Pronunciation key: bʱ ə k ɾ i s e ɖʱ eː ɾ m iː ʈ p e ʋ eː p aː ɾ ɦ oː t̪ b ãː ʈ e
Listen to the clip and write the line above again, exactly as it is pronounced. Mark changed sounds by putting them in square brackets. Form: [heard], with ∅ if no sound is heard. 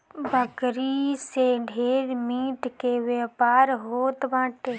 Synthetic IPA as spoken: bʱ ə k ɾ i s e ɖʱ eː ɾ m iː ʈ [k] e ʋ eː p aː ɾ ɦ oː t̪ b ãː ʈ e